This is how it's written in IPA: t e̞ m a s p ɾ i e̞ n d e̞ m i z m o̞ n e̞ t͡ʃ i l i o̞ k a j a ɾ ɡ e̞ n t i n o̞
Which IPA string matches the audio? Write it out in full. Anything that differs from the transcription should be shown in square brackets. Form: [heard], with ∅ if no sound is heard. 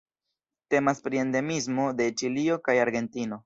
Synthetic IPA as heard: t e̞ m a s p ɾ i e̞ n d e̞ m i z m o̞ [d] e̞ t͡ʃ i l i o̞ k a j a ɾ ɡ e̞ n t i n o̞